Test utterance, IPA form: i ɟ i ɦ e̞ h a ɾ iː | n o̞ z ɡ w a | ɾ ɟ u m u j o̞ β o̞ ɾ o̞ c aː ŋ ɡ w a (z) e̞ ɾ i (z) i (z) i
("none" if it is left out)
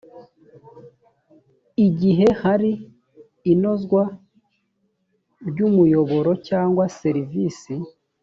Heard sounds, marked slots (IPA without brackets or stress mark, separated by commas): s, v, s